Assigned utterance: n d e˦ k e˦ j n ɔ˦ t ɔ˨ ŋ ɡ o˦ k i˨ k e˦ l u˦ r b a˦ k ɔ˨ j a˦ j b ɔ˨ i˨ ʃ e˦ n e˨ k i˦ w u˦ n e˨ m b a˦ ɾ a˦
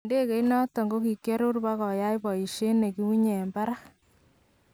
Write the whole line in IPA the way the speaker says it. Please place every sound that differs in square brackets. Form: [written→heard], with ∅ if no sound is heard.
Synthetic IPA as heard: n d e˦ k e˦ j n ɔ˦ t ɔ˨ ŋ ɡ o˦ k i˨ k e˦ [l→ɾ] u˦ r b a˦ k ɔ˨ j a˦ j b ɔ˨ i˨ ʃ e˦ n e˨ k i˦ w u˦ [n→ɲ] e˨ m b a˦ ɾ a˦